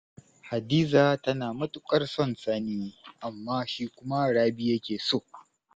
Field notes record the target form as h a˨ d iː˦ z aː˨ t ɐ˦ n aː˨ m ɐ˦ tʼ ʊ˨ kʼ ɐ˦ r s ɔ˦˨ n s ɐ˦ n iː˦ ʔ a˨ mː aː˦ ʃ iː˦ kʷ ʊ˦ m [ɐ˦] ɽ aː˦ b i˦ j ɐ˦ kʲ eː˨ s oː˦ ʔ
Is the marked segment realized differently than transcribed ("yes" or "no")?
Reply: yes